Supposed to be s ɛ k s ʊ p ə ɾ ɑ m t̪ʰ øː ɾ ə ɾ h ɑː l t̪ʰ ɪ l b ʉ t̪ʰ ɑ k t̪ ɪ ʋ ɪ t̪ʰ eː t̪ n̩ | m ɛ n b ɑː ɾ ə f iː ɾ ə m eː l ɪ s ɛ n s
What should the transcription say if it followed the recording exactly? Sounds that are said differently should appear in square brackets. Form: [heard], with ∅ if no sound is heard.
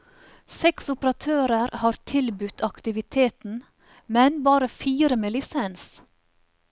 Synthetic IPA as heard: s ɛ k s ʊ p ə ɾ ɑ [∅] t̪ʰ øː ɾ ə ɾ h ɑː [ɾ] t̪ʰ ɪ l b ʉ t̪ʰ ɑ k t̪ ɪ ʋ ɪ t̪ʰ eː t̪ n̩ | m ɛ n b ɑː ɾ ə f iː ɾ ə m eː l ɪ s ɛ n s

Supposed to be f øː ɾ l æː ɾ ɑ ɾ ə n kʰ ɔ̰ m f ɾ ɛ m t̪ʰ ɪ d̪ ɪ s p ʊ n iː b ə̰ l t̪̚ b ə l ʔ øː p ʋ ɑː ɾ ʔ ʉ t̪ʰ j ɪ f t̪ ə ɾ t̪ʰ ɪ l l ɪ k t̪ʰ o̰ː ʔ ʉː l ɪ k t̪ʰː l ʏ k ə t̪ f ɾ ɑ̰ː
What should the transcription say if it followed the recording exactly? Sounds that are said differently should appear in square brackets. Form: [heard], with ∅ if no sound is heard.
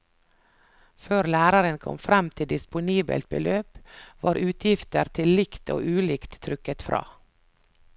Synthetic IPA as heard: f øː ɾ l æː ɾ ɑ ɾ ə n kʰ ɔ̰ m f ɾ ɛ m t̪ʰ ɪ d̪ ɪ s p ʊ n iː b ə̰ l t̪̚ b ə l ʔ øː p ʋ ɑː ɾ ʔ [ʉː] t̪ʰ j ɪ f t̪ ə ɾ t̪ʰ ɪ l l ɪ k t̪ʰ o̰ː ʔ ʉː l ɪ k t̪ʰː [ɾ] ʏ k ə t̪ f ɾ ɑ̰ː

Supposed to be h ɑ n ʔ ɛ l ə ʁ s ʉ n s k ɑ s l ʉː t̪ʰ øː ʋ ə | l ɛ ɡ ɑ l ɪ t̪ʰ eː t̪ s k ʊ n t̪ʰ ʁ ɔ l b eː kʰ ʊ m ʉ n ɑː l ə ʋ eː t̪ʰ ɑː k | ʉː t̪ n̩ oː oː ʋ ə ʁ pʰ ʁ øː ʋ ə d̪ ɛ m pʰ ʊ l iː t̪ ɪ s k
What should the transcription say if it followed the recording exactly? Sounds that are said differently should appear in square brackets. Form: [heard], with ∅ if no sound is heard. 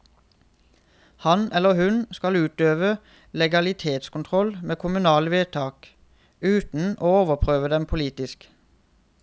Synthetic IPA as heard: h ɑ n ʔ ɛ l ə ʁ [h] ʉ n s k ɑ [∅] l ʉː [t̪] øː ʋ ə | l ɛ ɡ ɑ l ɪ t̪ʰ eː t̪ s k ʊ n t̪ʰ ʁ ɔ l [m] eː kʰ ʊ m ʉ n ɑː l ə ʋ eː t̪ʰ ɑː k | ʉː t̪ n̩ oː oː ʋ ə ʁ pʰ ʁ øː ʋ ə d̪ ɛ m pʰ ʊ l iː t̪ ɪ s k

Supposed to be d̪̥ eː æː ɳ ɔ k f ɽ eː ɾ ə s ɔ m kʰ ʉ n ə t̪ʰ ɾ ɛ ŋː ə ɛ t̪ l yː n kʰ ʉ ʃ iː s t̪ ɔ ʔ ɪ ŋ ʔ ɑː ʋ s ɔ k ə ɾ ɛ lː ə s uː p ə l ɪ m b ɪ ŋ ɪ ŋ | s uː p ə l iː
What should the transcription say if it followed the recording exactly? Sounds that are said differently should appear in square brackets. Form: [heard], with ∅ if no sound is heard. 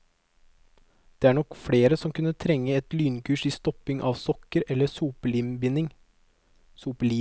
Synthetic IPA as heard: d̪̥ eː æː ɳ ɔ k f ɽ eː ɾ ə s ɔ m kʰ ʉ n ə t̪ʰ ɾ ɛ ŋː ə ɛ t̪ l yː n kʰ [ʉː] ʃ iː s t̪ ɔ [p] ɪ ŋ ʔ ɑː ʋ s ɔ k ə ɾ ɛ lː ə s uː p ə l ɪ m b ɪ [n] ɪ ŋ | s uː p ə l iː

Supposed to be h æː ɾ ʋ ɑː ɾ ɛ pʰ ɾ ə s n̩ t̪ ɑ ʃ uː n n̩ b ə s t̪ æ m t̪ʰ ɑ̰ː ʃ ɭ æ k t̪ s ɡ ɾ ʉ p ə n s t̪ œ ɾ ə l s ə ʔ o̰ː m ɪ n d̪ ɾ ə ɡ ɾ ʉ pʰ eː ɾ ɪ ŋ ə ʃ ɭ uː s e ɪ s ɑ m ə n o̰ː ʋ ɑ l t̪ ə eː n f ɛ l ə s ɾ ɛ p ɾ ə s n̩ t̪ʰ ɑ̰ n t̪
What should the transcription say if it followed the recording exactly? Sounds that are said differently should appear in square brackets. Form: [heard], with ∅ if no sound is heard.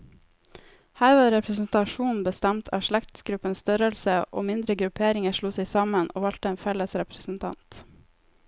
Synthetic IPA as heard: h æː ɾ ʋ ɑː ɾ ɛ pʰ ɾ ə s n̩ t̪ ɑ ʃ uː n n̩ b ə s t̪ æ m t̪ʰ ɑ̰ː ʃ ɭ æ k t̪ s ɡ ɾ ʉ p ə n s t̪ œ ɾ ə l s ə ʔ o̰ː m ɪ n d̪ ɾ ə ɡ ɾ ʉ pʰ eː ɾ ɪ ŋ ə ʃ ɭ uː s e ɪ s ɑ m ə n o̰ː ʋ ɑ l t̪ ə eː n f ɛ l ə s ɾ ɛ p ɾ ə s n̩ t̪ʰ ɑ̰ n t̪

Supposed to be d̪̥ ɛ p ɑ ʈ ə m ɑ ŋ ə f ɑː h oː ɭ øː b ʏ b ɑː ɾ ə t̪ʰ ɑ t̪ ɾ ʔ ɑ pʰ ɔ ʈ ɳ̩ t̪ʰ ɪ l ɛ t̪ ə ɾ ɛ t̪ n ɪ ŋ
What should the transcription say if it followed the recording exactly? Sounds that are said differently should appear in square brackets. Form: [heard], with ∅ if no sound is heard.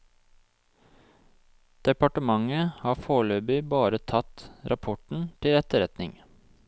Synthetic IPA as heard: d̪̥ ɛ p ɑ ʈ ə m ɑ ŋ ə [h] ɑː [f] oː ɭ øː b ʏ b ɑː ɾ ə t̪ʰ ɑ t̪ ɾ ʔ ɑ pʰ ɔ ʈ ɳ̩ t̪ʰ ɪ l ɛ t̪ ə ɾ ɛ t̪ n ɪ ŋ

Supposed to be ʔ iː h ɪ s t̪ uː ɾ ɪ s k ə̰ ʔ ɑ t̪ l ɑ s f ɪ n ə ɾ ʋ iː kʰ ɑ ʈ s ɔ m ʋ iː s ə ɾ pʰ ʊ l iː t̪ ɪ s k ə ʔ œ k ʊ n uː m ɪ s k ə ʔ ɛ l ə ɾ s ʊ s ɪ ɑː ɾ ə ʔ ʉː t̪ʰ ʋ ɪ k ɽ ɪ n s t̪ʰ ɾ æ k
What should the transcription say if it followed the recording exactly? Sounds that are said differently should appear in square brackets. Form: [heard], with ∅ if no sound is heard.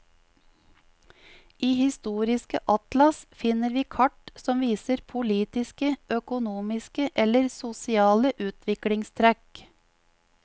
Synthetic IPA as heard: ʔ iː h ɪ s t̪ uː ɾ ɪ s k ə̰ ʔ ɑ t̪ l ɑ s f ɪ n ə ɾ ʋ iː kʰ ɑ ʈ s ɔ m ʋ iː s ə ɾ pʰ ʊ l iː t̪ ɪ s k ə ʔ œ k ʊ n uː m ɪ s k ə ʔ ɛ l ə ɾ s ʊ s ɪ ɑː [l] ə ʔ ʉː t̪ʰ ʋ ɪ k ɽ ɪ [ŋ] s t̪ʰ ɾ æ k

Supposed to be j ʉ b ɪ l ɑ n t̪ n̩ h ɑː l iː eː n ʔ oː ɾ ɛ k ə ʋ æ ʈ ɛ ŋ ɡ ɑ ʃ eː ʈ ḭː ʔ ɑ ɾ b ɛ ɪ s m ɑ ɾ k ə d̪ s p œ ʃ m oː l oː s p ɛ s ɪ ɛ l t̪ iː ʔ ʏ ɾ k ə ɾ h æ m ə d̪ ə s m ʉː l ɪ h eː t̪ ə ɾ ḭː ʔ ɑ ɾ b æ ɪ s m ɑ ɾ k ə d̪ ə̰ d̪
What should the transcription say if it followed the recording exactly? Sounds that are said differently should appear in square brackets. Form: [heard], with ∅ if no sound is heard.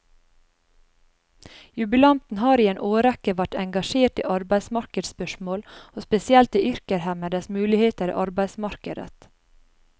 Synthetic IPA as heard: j ʉ b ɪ l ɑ n t̪ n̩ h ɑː [ɾ] iː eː n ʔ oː ɾ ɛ k ə ʋ æ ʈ ɛ ŋ ɡ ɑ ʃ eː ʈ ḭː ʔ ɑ ɾ b [æ] ɪ s m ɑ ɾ k ə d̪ s p œ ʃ m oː l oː s p ɛ s ɪ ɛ l t̪ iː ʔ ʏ ɾ k ə ɾ h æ m ə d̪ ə s m ʉː l ɪ h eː t̪ ə ɾ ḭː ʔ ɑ ɾ b æ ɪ s m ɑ ɾ k ə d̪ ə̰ [t̪]

